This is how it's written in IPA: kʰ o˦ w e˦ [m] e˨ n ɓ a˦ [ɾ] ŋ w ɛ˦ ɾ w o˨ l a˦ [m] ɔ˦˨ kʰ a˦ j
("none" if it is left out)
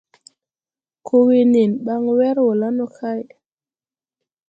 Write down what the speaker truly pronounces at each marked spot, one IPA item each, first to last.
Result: n, none, n

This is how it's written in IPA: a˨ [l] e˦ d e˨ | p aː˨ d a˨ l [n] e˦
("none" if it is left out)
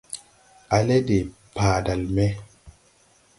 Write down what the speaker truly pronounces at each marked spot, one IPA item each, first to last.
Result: l, m

